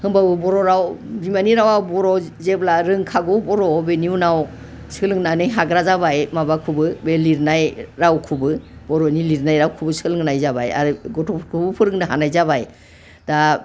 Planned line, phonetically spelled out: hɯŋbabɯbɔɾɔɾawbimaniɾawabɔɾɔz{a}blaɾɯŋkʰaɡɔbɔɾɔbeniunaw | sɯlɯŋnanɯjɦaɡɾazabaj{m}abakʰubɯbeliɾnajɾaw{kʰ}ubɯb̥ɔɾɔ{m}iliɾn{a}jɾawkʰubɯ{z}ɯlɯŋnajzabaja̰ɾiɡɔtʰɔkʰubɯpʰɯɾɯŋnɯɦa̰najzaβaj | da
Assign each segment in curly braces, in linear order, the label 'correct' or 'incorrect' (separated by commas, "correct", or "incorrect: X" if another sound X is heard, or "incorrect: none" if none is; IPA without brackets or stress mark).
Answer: incorrect: e, correct, correct, incorrect: n, correct, incorrect: s